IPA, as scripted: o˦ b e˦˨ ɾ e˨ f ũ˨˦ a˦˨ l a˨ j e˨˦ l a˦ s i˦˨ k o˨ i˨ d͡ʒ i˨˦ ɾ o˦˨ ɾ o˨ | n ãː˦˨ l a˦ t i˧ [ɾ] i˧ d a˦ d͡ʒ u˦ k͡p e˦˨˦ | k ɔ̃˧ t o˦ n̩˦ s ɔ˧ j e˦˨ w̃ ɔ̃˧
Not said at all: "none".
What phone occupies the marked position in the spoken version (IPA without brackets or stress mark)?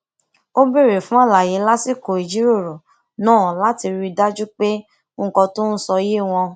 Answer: ɾ